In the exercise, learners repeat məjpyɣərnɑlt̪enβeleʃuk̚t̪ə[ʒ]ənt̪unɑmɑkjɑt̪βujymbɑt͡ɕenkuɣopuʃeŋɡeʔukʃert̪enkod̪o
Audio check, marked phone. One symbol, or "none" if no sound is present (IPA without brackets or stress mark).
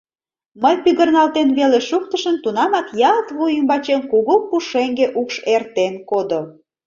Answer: ʃ